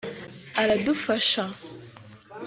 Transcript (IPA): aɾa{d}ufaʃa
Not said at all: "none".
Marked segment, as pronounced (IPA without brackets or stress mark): d